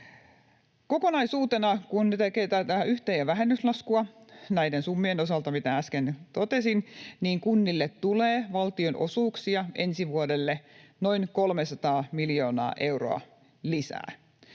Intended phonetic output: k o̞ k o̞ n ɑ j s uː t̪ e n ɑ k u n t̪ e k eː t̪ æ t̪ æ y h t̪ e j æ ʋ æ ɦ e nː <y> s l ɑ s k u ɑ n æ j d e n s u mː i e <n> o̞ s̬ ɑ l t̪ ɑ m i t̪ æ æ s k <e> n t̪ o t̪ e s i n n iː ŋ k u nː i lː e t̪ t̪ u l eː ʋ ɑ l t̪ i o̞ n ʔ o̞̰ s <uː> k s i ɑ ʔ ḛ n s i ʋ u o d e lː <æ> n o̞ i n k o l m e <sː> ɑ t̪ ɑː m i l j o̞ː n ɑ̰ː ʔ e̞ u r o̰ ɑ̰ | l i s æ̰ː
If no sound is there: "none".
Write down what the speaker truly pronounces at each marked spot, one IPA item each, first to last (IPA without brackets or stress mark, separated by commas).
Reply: y, n, e, uː, e, s